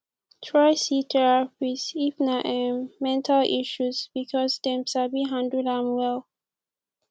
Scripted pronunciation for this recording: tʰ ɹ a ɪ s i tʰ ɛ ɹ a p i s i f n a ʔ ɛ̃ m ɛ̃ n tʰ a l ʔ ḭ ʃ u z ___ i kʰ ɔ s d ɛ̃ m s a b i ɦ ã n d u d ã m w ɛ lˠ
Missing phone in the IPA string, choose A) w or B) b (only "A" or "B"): B